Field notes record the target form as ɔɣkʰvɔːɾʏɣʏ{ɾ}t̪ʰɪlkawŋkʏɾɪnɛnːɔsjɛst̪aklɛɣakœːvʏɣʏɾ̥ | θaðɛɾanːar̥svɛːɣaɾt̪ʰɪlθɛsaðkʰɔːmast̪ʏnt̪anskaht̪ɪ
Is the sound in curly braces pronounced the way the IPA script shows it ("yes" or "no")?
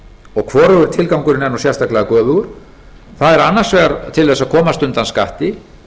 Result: yes